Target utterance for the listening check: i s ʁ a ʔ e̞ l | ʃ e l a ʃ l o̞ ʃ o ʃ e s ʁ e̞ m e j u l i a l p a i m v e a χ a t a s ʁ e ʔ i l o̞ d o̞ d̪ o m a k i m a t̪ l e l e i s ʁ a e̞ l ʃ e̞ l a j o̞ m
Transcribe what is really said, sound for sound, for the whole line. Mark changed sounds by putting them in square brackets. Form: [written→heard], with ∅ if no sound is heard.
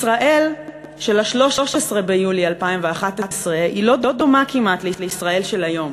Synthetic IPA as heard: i s ʁ a ʔ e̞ l | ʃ e l a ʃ l o̞ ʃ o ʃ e s ʁ e̞ [m→b] e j u l i a l p a i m v e a χ a t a s ʁ e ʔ i l o̞ d o̞ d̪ o m a k i m a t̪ l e l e i s ʁ a e̞ l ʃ e̞ l a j o̞ m